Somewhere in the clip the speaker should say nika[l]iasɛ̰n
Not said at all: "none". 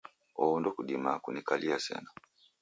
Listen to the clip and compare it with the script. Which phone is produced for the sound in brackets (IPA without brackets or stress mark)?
l